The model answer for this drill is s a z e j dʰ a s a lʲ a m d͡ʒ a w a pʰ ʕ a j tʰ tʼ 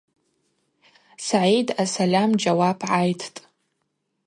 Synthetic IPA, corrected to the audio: s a ʕ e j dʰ a s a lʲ a m d͡ʒ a w a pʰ ʕ a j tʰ tʼ